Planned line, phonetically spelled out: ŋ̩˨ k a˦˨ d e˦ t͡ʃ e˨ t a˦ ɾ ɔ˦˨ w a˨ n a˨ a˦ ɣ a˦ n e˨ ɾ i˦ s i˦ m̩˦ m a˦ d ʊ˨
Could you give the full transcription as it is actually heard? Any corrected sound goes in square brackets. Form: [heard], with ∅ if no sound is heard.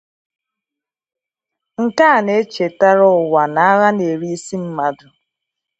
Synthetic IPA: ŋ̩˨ k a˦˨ [n] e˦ t͡ʃ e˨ t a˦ ɾ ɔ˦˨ w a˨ n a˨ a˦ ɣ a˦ n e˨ ɾ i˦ s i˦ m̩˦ m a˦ d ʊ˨

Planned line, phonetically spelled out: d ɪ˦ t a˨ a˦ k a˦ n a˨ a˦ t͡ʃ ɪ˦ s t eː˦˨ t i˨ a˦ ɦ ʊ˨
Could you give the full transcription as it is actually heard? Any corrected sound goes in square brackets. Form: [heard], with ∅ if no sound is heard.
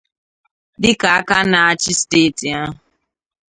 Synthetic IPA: d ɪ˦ [k] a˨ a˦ k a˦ n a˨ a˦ t͡ʃ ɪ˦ s t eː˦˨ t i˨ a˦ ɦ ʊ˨

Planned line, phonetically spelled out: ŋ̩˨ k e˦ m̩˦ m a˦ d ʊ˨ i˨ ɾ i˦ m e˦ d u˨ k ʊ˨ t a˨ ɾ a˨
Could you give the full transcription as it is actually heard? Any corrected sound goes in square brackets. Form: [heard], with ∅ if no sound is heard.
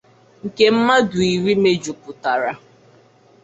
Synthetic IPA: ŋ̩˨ k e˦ m̩˦ m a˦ d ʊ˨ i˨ ɾ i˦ m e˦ [d͡ʒ] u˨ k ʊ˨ t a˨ ɾ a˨

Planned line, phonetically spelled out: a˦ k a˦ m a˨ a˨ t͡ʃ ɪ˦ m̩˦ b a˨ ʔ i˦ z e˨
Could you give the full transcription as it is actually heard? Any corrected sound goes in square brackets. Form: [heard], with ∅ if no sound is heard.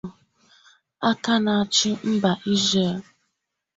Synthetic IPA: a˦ k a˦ [n] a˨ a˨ t͡ʃ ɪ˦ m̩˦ b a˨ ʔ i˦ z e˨

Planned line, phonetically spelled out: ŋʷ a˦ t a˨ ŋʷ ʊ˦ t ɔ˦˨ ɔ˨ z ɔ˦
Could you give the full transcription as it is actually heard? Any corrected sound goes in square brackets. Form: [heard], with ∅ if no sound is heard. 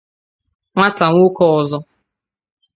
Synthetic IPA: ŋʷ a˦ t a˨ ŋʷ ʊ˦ [k] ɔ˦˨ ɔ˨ z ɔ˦

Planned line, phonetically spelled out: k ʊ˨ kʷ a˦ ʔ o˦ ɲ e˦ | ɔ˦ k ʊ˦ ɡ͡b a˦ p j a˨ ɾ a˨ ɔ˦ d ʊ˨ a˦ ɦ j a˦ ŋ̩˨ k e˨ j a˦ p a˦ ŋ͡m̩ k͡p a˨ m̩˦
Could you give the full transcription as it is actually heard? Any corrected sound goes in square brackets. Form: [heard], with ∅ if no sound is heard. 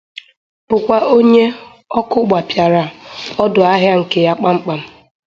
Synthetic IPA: [p] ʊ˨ kʷ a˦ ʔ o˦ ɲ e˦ | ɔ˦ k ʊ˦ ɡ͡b [a˨] p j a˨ ɾ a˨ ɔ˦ d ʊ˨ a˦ ɦ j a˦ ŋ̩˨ k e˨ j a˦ [k͡p] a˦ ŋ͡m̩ k͡p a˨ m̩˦

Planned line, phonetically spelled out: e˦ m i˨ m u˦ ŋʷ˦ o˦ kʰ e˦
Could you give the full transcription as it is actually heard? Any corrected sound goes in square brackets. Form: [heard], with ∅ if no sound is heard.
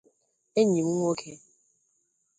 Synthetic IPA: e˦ [ɲ] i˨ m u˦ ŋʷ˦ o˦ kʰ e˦

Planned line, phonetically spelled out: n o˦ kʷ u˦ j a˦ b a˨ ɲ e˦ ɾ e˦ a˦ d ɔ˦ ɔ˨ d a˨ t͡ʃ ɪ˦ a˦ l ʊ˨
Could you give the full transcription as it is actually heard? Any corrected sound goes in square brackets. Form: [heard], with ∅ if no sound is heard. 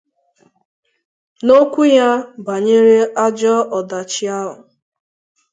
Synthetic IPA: n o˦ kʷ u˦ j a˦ b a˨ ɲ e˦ ɾ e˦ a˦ [d͡ʒ] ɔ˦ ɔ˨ d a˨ t͡ʃ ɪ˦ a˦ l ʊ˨

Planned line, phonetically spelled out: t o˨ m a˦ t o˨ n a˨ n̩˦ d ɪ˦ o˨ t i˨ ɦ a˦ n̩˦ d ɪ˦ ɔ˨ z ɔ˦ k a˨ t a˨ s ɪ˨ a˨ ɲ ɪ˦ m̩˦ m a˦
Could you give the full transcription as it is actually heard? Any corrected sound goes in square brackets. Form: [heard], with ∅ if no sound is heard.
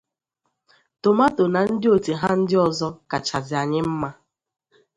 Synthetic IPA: t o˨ m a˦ t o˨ n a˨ n̩˦ d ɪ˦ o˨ t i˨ ɦ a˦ n̩˦ d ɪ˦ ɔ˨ z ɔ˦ k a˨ [t͡ʃ] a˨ [z] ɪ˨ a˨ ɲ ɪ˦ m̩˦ m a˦

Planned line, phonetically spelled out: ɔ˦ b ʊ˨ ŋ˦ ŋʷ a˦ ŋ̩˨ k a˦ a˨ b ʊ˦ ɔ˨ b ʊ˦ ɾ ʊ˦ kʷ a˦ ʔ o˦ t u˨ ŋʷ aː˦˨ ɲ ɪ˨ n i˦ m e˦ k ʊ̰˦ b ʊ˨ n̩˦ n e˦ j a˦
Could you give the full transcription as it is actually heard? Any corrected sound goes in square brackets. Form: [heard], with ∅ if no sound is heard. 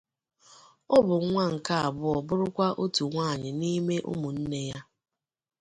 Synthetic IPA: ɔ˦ b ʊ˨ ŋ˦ ŋʷ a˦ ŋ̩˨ k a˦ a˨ b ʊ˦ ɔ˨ b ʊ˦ ɾ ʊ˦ kʷ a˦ ʔ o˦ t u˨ ŋʷ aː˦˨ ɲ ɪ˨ n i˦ m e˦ [ʔ] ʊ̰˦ [m] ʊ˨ n̩˦ n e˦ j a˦

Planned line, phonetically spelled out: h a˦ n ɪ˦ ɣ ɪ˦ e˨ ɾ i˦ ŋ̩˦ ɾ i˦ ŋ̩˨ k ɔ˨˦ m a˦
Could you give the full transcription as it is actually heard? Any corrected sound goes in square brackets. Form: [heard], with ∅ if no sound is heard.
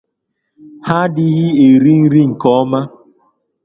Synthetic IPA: h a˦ [d] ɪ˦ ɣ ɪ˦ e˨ ɾ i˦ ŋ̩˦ ɾ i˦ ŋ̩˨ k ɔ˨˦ m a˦

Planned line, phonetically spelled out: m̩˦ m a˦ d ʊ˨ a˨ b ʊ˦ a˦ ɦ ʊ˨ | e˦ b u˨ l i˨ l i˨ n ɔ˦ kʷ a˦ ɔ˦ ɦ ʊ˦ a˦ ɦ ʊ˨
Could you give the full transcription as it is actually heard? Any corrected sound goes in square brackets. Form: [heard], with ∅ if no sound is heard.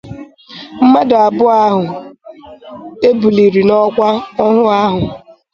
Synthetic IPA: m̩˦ m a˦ d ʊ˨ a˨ b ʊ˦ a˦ ɦ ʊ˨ | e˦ b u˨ l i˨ [ɾ] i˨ n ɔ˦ kʷ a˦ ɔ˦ ɦ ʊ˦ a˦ ɦ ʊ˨

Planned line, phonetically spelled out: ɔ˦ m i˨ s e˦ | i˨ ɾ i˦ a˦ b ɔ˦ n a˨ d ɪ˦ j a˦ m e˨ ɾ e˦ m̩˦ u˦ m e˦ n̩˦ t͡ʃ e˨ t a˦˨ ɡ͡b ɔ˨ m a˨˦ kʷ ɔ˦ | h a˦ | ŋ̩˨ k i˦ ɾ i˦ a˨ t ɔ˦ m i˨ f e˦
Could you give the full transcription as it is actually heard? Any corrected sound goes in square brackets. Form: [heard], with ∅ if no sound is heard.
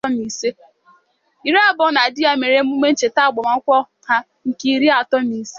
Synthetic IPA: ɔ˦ m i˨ s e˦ | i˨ ɾ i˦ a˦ b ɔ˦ n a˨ d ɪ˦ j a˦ m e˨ ɾ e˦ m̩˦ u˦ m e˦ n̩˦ t͡ʃ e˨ t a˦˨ ɡ͡b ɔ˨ m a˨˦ kʷ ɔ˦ | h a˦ | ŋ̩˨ k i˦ ɾ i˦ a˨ t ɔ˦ m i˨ [s] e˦

